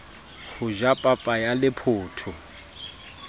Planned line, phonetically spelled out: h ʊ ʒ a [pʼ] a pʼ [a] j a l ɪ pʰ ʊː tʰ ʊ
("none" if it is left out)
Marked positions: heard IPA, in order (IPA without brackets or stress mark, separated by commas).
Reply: pʼ, a